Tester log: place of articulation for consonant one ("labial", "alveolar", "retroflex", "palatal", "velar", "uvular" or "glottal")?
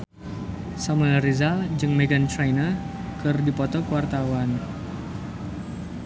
alveolar